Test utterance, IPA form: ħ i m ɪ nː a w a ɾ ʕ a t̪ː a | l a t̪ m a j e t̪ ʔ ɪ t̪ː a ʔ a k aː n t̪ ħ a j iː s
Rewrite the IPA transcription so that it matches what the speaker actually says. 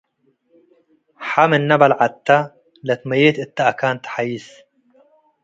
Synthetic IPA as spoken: ħ a m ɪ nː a b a l ʕ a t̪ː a | l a t̪ m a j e t̪ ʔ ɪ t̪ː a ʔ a k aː n t̪ ħ a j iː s